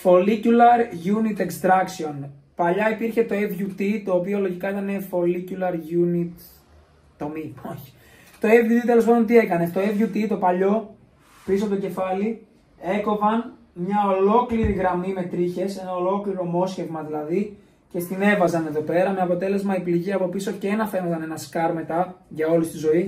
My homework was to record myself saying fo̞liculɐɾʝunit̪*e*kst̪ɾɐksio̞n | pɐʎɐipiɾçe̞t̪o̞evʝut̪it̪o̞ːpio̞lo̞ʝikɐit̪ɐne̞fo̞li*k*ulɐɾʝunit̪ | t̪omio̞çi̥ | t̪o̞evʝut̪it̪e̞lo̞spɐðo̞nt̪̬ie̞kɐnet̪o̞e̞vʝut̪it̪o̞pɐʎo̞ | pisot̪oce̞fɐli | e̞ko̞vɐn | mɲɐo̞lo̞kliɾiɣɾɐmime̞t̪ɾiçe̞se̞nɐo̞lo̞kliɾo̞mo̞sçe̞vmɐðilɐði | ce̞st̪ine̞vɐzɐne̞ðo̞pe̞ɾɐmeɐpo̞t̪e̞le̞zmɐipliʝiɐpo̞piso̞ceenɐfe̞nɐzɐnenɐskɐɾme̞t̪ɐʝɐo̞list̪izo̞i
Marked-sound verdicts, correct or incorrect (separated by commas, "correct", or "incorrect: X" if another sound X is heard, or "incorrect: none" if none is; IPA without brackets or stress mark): correct, incorrect: c